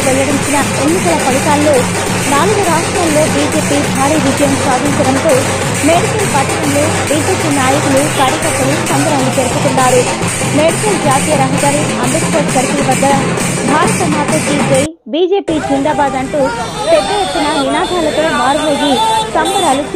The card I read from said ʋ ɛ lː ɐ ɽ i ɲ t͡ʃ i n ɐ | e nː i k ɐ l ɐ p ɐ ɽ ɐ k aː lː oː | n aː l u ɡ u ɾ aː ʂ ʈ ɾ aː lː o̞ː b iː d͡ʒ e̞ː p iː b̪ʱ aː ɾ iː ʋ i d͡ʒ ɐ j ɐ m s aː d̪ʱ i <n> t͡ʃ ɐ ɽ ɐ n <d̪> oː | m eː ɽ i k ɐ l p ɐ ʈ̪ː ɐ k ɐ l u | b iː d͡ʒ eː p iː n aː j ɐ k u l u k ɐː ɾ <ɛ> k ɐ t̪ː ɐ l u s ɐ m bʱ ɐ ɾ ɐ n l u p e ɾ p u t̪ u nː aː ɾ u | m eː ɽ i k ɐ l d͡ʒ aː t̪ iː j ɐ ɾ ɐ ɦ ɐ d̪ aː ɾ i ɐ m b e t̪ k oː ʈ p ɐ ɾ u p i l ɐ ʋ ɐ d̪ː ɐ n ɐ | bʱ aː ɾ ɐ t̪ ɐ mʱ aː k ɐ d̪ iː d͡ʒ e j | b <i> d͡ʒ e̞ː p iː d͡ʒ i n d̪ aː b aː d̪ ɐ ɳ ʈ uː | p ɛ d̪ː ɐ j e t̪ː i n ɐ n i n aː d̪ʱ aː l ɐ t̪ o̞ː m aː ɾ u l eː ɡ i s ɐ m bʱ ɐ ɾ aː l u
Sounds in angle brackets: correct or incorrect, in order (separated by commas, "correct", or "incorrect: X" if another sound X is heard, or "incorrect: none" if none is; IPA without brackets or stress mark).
incorrect: ɲ, incorrect: t̪, incorrect: i, incorrect: iː